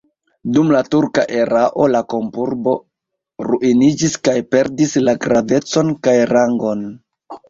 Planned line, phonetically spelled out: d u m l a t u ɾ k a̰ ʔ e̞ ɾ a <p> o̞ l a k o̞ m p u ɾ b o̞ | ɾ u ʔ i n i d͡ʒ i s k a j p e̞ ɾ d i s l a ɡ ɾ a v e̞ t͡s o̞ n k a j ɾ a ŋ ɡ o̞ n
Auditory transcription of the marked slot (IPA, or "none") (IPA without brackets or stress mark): ʔ